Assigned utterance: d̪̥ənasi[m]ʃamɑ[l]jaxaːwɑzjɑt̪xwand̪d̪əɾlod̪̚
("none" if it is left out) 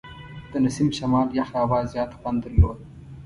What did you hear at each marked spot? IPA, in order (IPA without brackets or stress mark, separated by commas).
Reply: m, l